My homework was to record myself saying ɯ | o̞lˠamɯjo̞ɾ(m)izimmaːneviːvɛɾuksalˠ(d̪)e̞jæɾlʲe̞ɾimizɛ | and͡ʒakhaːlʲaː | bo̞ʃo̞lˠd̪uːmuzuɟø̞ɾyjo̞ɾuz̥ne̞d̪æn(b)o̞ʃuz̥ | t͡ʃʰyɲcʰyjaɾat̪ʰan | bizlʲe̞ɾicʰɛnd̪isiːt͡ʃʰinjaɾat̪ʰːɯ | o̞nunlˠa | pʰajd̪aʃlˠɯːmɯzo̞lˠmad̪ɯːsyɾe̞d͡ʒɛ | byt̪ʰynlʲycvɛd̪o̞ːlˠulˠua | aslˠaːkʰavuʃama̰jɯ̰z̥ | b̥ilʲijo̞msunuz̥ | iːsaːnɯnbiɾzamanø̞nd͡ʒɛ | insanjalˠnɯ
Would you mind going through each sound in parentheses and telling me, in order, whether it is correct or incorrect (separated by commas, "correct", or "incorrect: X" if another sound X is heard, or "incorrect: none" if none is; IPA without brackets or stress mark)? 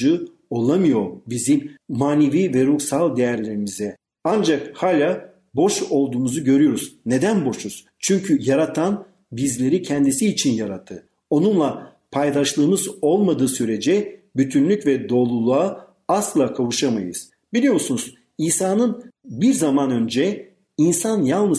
incorrect: b, correct, correct